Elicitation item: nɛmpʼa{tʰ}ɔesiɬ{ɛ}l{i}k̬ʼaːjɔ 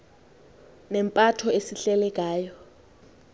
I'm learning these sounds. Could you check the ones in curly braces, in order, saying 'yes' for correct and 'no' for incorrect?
yes, yes, no

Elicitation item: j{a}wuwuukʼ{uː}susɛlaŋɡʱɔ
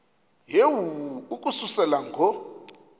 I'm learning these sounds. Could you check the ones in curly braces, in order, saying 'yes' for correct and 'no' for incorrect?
no, no

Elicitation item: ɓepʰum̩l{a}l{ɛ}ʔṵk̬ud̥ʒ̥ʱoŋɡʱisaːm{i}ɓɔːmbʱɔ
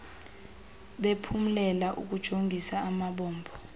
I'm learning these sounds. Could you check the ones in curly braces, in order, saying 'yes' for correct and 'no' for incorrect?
no, no, no

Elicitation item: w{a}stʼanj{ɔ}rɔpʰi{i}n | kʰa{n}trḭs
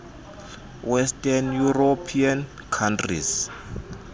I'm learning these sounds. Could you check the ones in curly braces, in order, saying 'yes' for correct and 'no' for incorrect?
no, no, no, yes

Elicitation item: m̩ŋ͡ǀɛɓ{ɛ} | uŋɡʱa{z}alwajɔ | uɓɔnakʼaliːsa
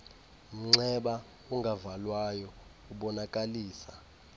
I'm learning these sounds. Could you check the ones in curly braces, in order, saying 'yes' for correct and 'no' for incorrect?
no, no

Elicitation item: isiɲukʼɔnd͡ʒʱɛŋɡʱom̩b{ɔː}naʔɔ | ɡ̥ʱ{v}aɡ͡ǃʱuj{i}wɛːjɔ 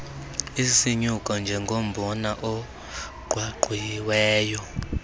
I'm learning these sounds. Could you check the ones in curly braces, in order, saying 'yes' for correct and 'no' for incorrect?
no, no, yes

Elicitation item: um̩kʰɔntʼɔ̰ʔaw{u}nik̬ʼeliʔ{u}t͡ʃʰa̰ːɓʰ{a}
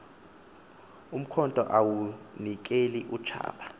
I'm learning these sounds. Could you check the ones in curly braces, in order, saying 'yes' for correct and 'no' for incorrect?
yes, yes, yes

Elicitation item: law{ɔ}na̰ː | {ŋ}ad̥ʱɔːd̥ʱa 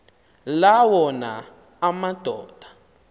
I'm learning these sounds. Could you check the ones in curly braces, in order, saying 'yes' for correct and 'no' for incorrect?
yes, no

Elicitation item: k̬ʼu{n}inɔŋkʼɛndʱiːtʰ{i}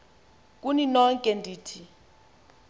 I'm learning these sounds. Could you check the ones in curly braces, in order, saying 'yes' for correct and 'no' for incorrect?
yes, yes

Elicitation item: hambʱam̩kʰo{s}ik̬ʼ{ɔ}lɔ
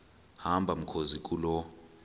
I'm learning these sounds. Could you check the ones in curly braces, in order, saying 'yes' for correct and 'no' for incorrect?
no, no

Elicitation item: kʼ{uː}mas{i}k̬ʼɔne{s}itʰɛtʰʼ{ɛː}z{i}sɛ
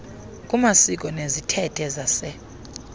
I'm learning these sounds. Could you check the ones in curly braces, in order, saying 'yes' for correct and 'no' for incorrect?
no, yes, no, no, no

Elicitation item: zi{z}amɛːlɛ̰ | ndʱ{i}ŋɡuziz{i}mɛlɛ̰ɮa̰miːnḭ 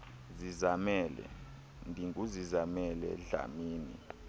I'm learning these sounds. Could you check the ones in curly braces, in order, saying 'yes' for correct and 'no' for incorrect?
yes, yes, no

